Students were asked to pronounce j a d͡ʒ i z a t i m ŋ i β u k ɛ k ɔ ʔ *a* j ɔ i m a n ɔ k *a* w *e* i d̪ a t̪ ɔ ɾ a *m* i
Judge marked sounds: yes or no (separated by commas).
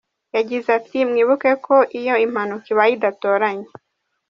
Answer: no, no, no, no